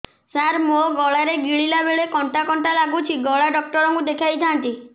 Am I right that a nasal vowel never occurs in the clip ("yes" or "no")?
yes